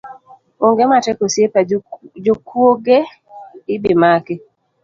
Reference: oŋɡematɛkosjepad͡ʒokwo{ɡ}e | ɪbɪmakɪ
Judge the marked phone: correct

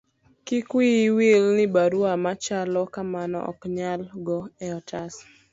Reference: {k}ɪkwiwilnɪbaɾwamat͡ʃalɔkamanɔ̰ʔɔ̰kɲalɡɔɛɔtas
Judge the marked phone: correct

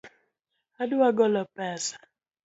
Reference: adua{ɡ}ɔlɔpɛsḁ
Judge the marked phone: correct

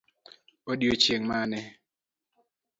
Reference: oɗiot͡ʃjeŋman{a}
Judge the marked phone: incorrect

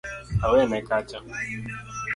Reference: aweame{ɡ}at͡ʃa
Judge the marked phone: incorrect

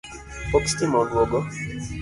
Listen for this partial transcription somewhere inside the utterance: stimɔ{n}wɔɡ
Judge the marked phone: correct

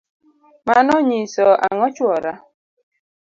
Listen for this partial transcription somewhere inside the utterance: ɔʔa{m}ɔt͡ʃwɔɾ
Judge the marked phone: incorrect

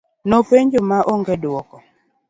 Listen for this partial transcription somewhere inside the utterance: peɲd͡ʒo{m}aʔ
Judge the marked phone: correct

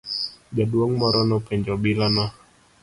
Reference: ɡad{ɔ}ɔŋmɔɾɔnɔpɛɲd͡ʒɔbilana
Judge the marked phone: incorrect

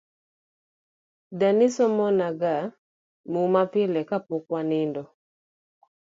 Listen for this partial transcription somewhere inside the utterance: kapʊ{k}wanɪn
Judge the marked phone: correct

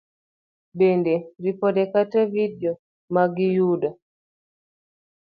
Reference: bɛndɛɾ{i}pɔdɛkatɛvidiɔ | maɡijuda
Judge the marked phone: correct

